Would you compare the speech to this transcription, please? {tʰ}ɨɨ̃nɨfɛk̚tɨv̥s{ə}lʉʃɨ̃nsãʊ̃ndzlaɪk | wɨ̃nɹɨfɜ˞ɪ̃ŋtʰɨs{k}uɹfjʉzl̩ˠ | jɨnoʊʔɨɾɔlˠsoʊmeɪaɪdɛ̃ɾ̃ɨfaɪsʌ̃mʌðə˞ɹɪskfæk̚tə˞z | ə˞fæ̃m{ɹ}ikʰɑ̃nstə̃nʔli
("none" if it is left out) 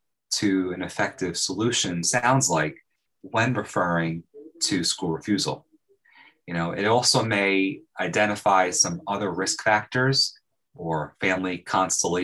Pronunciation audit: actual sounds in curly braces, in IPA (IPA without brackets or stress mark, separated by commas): tʰ, ə, k, l